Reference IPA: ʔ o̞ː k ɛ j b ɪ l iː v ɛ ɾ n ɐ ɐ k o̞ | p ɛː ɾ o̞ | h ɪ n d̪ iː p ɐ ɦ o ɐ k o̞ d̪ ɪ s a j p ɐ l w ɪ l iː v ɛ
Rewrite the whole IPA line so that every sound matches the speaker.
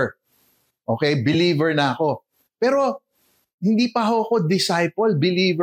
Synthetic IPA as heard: ʔ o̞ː k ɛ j b ɪ l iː v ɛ ɹ n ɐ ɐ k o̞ | p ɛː ɾ o̞ | h ɪ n d̪ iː p ɐ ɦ o ɐ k o̞ d̪ ɪ s a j p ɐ l b ɪ l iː v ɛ